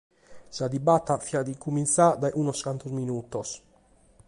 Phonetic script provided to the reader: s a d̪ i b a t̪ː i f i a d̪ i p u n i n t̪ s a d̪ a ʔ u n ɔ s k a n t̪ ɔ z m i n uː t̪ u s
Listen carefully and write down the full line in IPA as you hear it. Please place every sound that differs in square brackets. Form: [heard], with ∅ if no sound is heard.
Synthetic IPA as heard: s a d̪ i b a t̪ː [a] f i a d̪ i [k] u [m] i n t̪ s a d̪ a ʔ u n ɔ s k a n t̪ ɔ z m i n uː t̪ [ɔ] s